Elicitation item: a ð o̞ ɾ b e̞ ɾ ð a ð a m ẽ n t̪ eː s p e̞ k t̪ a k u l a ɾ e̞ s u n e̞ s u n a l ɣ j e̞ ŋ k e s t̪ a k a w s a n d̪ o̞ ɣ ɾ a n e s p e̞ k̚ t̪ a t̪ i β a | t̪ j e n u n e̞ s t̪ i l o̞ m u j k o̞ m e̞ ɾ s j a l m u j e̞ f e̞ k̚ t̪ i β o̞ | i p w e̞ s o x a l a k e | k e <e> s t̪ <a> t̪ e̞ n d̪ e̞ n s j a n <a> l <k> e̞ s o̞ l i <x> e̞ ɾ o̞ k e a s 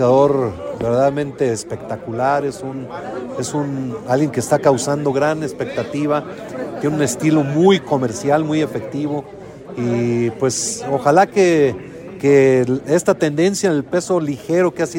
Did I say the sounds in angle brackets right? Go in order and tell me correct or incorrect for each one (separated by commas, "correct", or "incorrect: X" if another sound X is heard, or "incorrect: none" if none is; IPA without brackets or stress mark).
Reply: correct, correct, incorrect: e, incorrect: p, correct